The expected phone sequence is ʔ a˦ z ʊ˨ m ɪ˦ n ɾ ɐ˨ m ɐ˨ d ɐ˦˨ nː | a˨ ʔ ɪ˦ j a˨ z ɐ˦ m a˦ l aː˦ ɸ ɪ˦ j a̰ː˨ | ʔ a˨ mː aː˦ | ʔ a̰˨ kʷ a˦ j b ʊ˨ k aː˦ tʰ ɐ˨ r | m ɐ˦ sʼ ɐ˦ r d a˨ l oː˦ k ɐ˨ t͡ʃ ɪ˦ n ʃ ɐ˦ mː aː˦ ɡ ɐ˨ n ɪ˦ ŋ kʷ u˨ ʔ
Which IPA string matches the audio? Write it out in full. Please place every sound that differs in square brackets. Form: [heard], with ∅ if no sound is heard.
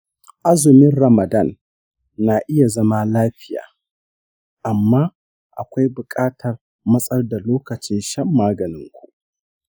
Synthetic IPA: ʔ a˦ z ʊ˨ m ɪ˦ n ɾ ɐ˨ m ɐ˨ d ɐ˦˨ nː | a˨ ʔ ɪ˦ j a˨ z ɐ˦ m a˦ l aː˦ ɸ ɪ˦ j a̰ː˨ | ʔ a˨ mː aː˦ | ʔ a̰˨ kʷ a˦ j b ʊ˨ [kʼ] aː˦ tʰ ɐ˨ r | m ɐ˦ sʼ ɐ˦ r d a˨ l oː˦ k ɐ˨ t͡ʃ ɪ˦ n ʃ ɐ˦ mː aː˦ ɡ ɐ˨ n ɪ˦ ŋ kʷ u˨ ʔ